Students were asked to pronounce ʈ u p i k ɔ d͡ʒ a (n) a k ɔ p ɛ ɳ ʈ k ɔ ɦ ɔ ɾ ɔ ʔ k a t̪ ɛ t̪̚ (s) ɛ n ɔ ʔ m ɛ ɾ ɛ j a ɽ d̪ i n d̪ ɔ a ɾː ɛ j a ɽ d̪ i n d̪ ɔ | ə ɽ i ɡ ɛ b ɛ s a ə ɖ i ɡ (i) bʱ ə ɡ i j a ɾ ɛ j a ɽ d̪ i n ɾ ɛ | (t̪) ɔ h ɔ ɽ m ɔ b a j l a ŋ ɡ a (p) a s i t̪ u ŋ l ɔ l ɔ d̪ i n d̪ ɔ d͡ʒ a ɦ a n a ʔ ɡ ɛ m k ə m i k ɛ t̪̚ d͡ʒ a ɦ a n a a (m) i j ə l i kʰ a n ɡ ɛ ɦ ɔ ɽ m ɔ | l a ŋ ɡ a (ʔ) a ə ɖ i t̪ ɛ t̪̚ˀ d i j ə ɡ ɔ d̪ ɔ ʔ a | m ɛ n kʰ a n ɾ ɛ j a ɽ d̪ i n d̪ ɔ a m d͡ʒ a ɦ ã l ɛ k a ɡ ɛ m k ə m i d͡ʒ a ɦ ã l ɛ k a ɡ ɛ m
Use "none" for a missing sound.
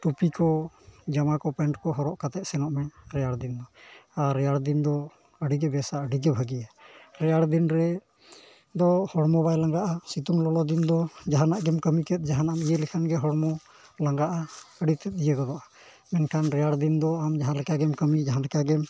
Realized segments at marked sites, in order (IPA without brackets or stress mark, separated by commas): m, s, ɛ, d̪, ʔ, m, ʔ